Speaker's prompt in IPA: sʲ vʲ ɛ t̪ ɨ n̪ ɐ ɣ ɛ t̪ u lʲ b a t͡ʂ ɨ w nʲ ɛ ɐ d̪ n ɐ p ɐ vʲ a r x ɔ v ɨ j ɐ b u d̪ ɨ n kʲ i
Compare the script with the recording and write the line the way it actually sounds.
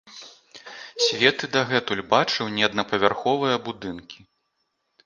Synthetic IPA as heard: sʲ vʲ ɛ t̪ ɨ d̪ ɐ ɣ ɛ t̪ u lʲ b a t͡ʂ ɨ w nʲ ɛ ɐ d̪ n ɐ p ɐ vʲ a r x ɔ v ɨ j ɐ b u d̪ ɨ n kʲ i